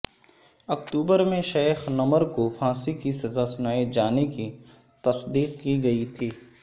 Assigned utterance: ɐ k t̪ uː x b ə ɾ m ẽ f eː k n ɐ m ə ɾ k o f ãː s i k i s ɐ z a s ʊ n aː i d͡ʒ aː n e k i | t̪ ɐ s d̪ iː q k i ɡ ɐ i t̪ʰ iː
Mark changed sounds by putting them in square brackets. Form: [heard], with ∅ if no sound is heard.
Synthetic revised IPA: ɐ k t̪ uː [∅] b ə ɾ m ẽ [ʃ] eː [x] n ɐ m ə ɾ k o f ãː s i k i s ɐ z a s ʊ n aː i d͡ʒ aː n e k i | t̪ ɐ s d̪ iː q k i ɡ ɐ i t̪ʰ iː